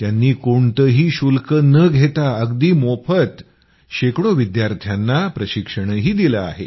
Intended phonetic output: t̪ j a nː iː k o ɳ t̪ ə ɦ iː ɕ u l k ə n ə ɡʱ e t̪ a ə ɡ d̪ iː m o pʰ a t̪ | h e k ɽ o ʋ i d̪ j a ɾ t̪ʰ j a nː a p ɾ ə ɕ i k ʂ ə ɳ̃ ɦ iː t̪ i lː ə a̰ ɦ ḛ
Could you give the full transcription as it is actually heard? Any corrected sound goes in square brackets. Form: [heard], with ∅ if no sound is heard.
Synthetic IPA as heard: t̪ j a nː iː k o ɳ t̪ ə ɦ iː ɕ u l k ə n ə ɡʱ e t̪ a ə ɡ d̪ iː m o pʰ [ə] t̪ | [ɕ] e k ɽ o ʋ i d̪ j a ɾ t̪ʰ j a nː a p ɾ ə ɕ i k ʂ ə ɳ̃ ɦ iː [d̪] i [l] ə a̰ ɦ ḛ